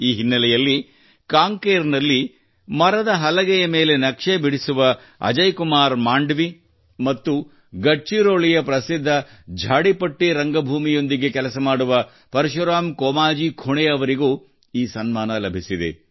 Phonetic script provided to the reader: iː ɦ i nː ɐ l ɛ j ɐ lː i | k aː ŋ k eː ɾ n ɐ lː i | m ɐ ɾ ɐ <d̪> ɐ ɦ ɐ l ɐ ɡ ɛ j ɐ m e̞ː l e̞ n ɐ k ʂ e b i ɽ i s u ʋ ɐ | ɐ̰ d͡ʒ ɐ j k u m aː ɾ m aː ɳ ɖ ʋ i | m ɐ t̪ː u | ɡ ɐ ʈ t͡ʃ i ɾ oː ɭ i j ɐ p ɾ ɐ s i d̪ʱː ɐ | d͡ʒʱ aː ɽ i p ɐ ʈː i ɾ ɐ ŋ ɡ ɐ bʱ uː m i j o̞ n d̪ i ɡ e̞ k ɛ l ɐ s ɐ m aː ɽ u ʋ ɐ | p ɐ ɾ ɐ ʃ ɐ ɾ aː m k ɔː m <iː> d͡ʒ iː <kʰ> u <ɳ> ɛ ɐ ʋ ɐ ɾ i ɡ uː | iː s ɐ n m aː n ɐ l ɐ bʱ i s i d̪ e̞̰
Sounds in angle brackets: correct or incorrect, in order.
correct, incorrect, correct, correct

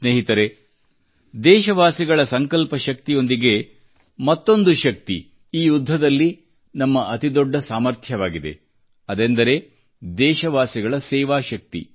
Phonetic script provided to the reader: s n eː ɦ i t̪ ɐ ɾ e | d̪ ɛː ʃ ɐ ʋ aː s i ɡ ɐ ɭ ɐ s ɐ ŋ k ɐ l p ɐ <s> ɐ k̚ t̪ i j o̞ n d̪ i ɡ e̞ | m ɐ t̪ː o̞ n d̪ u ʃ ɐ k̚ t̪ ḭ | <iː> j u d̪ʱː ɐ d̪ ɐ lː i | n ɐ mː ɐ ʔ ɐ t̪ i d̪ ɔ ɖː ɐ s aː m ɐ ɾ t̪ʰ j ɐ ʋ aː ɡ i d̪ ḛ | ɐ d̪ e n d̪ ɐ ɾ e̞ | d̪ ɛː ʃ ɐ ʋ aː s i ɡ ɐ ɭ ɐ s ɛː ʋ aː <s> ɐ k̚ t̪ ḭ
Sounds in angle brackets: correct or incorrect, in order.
incorrect, correct, incorrect

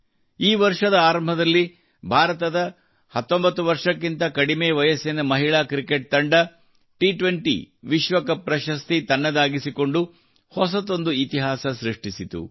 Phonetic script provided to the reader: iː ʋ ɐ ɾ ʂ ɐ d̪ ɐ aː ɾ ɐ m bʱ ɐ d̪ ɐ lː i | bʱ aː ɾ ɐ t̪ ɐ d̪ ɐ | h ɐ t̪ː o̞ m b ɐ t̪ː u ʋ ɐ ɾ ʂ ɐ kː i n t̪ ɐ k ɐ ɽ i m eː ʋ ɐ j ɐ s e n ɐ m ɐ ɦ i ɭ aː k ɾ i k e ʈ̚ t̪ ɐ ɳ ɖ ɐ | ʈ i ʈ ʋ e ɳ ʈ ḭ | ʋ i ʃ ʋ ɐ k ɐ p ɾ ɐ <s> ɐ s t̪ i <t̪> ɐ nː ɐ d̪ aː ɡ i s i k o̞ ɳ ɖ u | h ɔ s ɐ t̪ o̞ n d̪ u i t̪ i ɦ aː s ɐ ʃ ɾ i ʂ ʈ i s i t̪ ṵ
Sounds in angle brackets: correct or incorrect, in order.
incorrect, correct

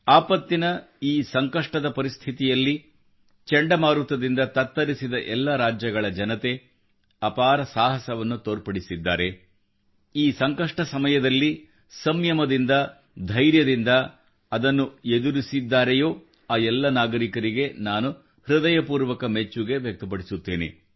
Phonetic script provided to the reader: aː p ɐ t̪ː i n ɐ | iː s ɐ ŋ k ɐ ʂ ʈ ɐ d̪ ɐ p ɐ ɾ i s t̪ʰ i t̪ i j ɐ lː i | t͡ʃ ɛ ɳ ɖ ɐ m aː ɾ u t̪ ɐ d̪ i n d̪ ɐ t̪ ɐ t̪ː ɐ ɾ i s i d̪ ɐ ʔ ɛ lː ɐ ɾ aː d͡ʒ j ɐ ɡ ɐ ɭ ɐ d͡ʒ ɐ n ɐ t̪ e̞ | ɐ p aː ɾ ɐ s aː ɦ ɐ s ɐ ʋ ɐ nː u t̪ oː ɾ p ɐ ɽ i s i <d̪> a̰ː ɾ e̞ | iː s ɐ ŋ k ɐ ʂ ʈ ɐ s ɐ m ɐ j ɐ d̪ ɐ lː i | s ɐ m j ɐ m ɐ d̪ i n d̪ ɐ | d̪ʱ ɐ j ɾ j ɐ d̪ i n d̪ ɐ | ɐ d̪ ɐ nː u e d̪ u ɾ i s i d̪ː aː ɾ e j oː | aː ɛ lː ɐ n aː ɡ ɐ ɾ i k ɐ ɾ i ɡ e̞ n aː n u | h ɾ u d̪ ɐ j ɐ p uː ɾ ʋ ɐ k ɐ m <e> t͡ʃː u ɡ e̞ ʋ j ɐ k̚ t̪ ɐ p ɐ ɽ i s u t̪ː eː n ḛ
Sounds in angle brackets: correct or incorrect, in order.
incorrect, correct

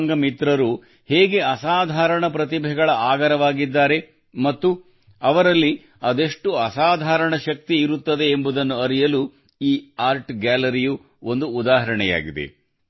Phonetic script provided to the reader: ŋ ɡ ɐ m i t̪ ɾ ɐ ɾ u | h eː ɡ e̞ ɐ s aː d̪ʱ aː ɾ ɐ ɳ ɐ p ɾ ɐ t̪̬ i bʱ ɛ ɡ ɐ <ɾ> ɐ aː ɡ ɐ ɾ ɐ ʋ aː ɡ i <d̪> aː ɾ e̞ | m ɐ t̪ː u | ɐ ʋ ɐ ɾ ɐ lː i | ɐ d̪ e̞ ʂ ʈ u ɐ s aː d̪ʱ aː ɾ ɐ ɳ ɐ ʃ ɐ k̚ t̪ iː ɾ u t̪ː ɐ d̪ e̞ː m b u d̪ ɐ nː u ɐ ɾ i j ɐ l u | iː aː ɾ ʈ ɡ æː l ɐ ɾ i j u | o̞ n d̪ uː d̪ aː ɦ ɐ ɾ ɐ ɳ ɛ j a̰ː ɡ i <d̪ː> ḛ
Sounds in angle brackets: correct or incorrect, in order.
incorrect, incorrect, incorrect

